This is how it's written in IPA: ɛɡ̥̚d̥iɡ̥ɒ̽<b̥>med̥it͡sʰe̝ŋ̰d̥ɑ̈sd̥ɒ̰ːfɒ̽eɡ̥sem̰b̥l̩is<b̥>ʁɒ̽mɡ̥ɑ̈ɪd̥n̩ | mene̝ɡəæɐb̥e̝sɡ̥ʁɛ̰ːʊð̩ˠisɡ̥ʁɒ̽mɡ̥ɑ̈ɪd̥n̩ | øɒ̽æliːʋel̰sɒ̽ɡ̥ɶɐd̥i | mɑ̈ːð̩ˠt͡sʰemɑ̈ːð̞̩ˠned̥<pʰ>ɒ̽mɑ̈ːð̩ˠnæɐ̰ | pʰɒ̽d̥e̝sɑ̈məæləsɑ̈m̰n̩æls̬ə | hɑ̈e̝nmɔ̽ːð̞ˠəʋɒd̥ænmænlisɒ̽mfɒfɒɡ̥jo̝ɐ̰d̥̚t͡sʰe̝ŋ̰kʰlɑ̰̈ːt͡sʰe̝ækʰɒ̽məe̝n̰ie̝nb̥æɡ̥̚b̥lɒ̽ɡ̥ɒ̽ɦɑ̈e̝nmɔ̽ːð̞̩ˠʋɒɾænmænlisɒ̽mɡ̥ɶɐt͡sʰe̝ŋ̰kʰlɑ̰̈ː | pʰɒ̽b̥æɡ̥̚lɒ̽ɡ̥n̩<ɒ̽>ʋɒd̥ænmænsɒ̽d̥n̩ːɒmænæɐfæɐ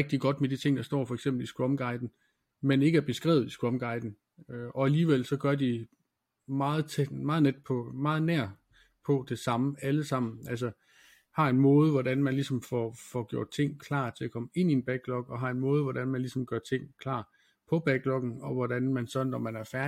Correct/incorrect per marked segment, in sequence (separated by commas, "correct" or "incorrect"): incorrect, incorrect, correct, correct